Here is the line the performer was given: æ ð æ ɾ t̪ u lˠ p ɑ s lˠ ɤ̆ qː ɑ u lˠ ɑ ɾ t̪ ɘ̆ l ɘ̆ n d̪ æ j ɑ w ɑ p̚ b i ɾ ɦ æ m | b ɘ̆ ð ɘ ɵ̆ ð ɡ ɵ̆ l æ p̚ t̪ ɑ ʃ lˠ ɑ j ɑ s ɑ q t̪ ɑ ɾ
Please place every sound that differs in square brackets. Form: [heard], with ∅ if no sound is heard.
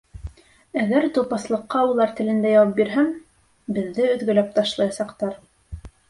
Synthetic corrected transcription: æ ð æ ɾ t̪ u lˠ p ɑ s lˠ ɤ̆ qː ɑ u lˠ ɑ ɾ t̪ ɘ̆ l ɘ̆ n d̪ æ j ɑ w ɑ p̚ b i ɾ ɦ æ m | b ɘ̆ [ðː] ɘ ɵ̆ ð ɡ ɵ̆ l æ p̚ t̪ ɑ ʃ lˠ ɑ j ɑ s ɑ q t̪ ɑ ɾ